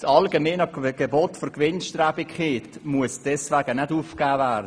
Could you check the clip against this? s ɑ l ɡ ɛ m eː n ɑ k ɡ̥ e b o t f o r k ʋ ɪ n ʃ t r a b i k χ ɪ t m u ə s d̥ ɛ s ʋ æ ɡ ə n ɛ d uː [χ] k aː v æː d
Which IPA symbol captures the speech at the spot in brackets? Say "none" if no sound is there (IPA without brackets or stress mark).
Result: f